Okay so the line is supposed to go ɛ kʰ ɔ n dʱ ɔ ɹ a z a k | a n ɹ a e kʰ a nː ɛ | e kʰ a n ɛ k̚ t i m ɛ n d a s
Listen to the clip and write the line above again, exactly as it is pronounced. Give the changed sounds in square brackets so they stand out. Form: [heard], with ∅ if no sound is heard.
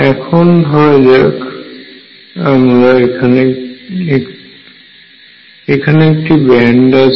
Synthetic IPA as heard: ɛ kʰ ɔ n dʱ ɔ ɹ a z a k | a [m] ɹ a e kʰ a [n] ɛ | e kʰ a n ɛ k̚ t i [b] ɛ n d a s

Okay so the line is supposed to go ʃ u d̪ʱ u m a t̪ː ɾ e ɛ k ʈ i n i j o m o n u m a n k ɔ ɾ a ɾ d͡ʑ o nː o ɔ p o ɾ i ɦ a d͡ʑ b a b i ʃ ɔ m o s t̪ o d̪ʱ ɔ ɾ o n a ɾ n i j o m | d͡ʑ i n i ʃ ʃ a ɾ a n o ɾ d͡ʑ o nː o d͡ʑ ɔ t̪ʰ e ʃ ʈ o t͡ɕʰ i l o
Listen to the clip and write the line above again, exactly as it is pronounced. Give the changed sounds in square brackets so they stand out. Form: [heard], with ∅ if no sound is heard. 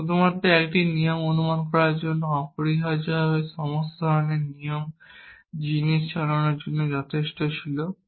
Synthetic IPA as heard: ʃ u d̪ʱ u m a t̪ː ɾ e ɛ k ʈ i n i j o m o n u m a n k ɔ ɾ a ɾ d͡ʑ o nː o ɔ p o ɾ i ɦ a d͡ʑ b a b [e] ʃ ɔ m o s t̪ o d̪ʱ ɔ ɾ o n [e] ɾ n i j o m | d͡ʑ i n i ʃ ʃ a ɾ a n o ɾ d͡ʑ o nː o d͡ʑ ɔ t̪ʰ e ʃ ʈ o t͡ɕʰ i l o

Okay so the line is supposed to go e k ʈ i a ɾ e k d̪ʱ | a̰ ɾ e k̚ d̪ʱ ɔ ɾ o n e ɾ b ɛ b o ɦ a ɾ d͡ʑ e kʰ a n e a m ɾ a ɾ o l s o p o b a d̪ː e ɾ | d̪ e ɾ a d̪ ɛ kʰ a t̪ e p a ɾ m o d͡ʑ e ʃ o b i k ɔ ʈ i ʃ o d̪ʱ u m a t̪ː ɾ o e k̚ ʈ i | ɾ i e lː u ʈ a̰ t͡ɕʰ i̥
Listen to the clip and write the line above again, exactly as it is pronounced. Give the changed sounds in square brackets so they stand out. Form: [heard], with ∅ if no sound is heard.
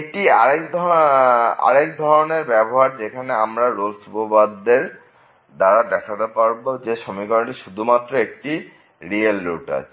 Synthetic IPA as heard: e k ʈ i a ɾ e k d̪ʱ | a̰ ɾ e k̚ d̪ʱ ɔ ɾ o n e ɾ b ɛ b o ɦ a ɾ d͡ʑ e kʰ a n e a m ɾ a ɾ o l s [u] p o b a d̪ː e ɾ | d̪ [a] ɾ a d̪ ɛ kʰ a t̪ e p a ɾ [b] o d͡ʑ e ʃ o [m] i k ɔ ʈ i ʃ [u] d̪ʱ u m a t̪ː ɾ o e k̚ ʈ i | ɾ i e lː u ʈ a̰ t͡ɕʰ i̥

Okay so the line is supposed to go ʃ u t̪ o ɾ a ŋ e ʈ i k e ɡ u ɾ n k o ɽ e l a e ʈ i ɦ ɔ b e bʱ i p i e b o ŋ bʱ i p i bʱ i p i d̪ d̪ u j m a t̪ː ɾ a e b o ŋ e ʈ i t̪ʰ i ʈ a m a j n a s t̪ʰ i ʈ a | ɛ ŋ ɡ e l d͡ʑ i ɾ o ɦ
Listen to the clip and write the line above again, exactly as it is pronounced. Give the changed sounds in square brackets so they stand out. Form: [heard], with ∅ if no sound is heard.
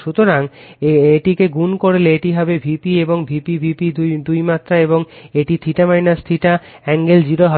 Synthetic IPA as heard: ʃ u t̪ o ɾ a ŋ e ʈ i k e ɡ u [∅] n k o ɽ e l [e] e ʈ i ɦ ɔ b e bʱ i p i e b o ŋ bʱ i p i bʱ i p i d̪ d̪ u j m a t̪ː ɾ a e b o ŋ e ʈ i t̪ʰ i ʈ a m a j n a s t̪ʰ i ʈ a | ɛ ŋ ɡ e l d͡ʑ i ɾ o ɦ

